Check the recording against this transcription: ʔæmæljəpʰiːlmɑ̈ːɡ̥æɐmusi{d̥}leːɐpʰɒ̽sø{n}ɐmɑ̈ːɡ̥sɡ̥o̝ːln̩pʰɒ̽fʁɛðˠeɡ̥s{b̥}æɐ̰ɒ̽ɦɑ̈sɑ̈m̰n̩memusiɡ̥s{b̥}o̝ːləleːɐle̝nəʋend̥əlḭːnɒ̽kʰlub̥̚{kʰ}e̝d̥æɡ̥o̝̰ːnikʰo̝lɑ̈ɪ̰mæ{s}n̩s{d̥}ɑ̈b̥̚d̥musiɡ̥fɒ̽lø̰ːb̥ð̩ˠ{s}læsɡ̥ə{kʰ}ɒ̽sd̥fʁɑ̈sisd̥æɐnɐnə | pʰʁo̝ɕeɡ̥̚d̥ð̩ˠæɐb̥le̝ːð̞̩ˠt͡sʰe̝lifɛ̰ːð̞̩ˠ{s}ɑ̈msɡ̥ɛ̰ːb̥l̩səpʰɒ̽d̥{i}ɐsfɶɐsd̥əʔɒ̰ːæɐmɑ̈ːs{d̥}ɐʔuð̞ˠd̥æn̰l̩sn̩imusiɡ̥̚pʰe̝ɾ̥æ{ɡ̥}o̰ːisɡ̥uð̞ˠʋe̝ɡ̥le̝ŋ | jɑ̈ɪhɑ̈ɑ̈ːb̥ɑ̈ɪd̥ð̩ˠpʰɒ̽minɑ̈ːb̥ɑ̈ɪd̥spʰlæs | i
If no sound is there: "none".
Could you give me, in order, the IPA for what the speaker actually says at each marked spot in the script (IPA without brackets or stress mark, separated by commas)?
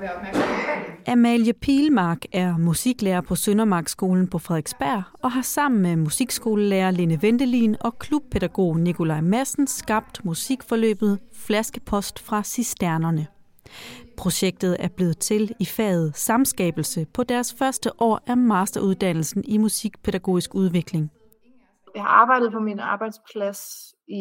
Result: ɡ̥, n, b̥, ɡ̥, pʰ, s, ɡ̥, f, pʰ, s, æ, d̥, ɡ̥